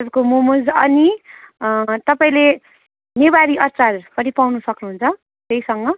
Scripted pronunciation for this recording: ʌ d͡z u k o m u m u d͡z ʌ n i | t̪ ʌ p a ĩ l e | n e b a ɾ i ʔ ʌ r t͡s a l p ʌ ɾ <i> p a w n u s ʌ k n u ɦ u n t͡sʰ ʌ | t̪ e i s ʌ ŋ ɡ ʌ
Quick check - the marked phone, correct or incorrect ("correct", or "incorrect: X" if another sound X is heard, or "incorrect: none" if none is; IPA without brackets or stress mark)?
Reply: correct